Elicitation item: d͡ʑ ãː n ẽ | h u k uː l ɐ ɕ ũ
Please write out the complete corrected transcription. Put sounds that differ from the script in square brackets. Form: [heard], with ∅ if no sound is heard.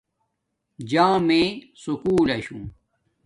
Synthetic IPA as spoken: d͡ʑ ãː [m] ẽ | [s] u k uː l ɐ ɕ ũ